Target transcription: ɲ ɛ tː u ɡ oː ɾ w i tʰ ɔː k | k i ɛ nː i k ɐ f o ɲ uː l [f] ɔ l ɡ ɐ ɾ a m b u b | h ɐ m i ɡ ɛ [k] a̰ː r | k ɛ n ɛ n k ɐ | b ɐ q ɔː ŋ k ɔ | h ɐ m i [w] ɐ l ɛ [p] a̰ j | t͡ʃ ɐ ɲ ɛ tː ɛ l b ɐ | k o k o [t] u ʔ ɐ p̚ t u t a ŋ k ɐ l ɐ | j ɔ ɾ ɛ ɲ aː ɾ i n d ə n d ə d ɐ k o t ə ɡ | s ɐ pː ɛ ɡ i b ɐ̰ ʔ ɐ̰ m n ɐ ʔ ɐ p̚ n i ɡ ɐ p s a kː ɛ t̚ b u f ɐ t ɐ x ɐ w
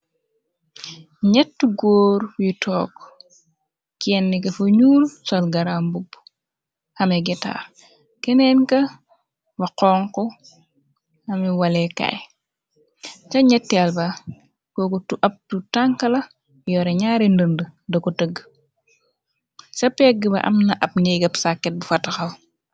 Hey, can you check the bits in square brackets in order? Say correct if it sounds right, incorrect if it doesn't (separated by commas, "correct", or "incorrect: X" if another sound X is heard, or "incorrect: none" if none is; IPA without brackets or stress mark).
incorrect: s, incorrect: t, correct, incorrect: k, correct